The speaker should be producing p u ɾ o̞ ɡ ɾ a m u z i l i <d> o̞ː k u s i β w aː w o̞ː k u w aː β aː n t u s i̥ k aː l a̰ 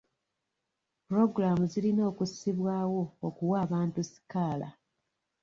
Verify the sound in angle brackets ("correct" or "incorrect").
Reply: incorrect